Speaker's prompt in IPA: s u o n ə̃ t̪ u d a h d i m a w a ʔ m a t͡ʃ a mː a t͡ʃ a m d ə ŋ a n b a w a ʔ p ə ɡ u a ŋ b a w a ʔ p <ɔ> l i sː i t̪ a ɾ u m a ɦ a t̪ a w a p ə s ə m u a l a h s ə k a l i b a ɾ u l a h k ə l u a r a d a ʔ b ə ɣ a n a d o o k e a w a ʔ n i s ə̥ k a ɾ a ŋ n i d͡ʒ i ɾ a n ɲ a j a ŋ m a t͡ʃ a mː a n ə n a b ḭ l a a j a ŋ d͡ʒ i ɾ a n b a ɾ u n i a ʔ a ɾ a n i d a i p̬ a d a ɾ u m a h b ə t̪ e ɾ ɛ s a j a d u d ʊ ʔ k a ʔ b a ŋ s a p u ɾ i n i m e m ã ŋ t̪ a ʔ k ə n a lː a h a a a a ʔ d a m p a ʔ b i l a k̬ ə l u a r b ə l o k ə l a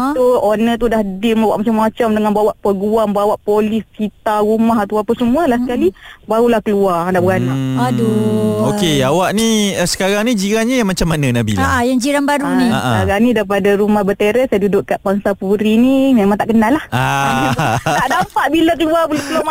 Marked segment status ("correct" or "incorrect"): incorrect